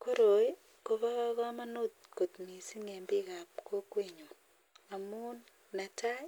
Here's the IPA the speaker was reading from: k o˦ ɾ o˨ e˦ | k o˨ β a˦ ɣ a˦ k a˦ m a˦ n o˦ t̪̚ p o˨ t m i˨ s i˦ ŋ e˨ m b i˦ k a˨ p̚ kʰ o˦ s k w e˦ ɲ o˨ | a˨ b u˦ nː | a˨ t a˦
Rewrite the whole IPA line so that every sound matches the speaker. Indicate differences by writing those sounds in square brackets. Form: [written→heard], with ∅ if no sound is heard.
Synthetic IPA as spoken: k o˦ ɾ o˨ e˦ | k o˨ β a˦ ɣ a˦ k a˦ m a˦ n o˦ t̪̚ [p→k] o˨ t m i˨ s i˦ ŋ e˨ m b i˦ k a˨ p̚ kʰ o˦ [s→∅] k w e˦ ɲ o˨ | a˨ [b→m] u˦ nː | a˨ t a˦

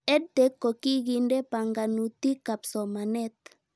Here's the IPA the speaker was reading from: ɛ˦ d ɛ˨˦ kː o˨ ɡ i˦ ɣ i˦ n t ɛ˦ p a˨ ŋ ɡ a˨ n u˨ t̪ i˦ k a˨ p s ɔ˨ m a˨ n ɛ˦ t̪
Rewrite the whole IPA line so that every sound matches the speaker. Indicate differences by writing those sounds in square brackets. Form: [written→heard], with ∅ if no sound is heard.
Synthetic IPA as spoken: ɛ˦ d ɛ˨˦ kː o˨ [ɡ→k] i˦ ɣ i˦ n [t→d] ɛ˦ p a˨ ŋ ɡ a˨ n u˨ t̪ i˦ k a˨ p s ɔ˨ m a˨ n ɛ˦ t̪

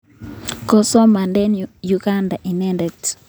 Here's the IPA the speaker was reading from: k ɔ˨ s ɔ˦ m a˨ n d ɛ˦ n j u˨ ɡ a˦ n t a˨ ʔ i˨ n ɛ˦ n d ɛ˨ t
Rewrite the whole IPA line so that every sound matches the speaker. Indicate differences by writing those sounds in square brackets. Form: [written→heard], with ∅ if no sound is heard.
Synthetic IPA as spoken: k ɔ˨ s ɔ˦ m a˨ n d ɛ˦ n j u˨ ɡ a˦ n [t→d] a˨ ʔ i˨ n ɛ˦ n d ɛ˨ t

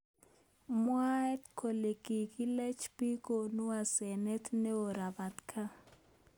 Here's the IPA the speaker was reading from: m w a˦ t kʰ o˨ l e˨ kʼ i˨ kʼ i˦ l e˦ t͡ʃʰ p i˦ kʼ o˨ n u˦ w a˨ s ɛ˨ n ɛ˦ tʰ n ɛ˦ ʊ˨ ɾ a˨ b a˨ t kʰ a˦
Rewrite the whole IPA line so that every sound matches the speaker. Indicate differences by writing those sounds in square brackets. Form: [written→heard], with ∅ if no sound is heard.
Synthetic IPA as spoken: m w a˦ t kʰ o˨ l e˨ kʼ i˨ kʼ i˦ l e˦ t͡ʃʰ p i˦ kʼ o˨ n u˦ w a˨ s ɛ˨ n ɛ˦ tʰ n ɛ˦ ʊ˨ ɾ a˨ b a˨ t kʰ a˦

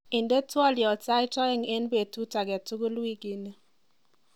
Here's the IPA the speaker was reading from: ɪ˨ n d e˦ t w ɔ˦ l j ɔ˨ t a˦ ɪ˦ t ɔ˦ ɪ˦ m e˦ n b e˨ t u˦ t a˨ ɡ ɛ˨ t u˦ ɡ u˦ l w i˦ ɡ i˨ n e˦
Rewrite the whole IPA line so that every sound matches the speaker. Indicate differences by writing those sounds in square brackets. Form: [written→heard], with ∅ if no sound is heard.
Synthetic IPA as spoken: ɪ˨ n d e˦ t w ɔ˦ l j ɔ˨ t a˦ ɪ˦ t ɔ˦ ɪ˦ [m→ŋ] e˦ n b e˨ t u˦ t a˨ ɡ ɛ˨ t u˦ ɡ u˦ l w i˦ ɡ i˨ n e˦

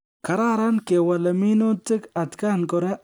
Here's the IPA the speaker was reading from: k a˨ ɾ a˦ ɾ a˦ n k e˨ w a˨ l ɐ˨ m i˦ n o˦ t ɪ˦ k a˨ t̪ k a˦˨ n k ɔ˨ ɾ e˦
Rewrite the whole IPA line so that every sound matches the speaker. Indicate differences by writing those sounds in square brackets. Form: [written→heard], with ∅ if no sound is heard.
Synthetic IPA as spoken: k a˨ ɾ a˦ ɾ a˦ n k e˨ w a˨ l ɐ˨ m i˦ n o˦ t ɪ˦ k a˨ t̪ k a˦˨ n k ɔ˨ ɾ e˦

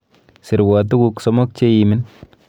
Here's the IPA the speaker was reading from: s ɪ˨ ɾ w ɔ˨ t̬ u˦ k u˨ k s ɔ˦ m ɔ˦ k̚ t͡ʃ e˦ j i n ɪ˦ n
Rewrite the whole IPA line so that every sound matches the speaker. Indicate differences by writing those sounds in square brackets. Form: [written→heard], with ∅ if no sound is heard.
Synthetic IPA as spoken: s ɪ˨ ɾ w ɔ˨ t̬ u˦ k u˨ k s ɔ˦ m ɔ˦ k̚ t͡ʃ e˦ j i [n→m] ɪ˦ n

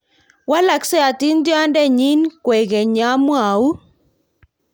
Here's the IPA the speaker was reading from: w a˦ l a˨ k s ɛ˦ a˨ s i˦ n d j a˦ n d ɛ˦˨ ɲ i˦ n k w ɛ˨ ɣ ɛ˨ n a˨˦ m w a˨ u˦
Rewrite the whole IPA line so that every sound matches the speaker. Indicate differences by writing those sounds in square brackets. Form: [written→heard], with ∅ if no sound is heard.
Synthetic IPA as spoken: w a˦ l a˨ k s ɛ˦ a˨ [s→t] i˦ n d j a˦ n d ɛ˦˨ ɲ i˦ n k w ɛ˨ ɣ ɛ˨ [n→ɲ] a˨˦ m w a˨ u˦

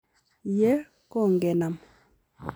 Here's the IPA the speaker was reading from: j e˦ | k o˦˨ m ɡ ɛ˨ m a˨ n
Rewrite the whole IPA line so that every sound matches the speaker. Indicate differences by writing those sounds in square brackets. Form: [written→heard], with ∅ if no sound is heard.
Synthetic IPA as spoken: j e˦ | k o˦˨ [m→ŋ] ɡ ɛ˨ [m→n] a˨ [n→m]

